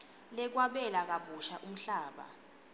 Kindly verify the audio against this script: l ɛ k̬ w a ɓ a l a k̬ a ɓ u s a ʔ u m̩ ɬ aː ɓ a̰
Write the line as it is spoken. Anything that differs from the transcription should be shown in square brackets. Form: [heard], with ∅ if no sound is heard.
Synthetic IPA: l ɛ k̬ w a ɓ [ɛ] l a k̬ a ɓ u [ʃ] a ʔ u m̩ ɬ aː ɓ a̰